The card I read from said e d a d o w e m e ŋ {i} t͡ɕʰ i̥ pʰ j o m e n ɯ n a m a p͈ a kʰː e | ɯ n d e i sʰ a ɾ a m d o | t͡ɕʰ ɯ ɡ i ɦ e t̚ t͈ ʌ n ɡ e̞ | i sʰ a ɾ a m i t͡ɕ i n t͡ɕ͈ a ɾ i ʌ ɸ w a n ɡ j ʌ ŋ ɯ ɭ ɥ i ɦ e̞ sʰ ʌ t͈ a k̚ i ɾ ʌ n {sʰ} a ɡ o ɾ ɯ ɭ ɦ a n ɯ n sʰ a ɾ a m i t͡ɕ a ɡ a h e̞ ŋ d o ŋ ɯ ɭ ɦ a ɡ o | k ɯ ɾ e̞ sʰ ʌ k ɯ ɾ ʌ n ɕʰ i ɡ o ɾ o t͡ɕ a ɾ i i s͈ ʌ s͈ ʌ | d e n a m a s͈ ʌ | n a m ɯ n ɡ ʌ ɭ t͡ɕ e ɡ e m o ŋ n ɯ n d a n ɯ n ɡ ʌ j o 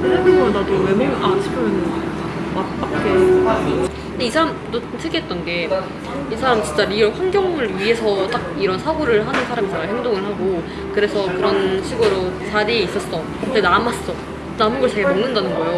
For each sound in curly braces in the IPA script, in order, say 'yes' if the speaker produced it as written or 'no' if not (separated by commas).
no, yes